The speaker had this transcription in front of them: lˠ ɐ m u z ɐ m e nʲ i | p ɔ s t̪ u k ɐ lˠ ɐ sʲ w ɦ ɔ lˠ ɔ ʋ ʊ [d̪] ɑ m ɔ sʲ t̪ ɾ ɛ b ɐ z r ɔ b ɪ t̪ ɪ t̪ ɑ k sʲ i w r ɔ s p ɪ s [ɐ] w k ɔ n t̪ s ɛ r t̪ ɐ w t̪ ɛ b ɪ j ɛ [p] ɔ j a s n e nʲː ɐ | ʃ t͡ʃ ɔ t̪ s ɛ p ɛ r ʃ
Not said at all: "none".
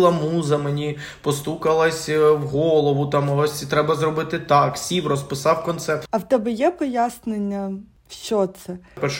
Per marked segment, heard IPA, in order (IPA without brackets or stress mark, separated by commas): t̪, ɑ, p